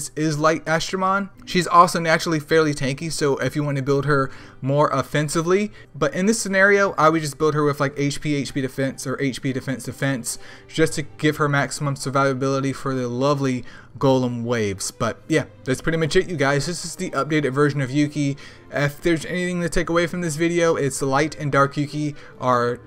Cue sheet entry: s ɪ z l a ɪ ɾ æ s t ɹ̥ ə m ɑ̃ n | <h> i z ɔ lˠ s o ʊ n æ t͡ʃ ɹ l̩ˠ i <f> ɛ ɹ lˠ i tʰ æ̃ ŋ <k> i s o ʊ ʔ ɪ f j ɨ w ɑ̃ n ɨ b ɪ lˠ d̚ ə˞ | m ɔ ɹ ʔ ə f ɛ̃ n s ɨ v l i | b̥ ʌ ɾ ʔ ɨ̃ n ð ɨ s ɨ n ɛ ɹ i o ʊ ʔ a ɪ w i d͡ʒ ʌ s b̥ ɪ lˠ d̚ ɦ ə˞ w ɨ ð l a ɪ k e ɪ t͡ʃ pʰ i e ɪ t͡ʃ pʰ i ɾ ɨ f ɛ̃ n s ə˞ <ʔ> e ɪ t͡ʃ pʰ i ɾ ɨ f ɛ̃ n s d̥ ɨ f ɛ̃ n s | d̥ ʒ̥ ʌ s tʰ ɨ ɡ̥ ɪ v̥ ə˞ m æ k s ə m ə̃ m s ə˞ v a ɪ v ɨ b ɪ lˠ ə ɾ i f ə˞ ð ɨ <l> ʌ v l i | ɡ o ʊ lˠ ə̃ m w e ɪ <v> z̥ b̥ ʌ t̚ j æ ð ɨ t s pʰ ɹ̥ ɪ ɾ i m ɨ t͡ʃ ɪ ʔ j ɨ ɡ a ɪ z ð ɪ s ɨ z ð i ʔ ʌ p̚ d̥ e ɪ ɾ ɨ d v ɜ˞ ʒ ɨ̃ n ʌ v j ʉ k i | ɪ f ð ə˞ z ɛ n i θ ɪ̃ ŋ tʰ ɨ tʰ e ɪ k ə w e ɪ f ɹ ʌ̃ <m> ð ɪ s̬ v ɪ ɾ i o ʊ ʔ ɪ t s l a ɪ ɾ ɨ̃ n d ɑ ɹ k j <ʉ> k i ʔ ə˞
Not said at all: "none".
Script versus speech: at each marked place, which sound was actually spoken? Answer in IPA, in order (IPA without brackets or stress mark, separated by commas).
ʃ, f, k, ʔ, l, v, m, ʉ